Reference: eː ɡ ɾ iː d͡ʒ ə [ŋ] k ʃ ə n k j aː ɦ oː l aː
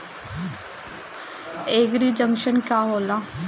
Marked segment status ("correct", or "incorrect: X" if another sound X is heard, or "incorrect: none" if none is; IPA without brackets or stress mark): correct